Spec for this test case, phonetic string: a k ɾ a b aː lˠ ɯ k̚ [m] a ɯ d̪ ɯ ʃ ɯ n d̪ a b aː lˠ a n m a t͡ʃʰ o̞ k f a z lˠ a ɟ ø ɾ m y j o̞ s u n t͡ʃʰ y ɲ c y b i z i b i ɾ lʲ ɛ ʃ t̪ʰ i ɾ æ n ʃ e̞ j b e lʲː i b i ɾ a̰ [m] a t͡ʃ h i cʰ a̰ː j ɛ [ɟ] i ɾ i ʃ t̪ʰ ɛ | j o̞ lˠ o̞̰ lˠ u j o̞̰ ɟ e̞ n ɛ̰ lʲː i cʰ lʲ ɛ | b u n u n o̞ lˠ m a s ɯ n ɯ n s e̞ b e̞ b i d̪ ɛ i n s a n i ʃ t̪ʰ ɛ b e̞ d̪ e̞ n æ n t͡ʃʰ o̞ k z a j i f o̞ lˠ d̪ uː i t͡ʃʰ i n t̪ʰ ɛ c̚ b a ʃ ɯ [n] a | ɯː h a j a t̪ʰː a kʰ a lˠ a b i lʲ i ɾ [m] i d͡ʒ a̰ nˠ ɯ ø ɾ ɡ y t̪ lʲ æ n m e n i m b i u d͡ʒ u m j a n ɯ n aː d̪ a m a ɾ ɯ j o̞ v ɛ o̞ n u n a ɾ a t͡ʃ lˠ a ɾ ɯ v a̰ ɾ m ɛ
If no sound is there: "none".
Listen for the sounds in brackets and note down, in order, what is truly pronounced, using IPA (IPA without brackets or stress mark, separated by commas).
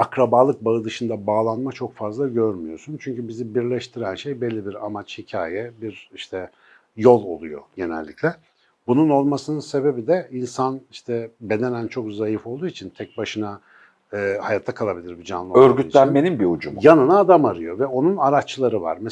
b, m, b, n, b